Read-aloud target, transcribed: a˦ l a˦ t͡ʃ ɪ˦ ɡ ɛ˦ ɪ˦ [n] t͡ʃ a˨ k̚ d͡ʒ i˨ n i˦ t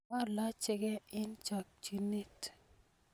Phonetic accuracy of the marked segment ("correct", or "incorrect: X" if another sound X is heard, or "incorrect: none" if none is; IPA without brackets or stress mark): correct